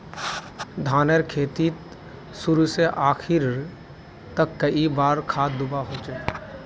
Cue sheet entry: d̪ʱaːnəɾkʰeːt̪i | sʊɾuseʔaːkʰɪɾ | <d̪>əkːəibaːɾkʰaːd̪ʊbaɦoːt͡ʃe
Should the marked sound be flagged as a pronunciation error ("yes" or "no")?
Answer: yes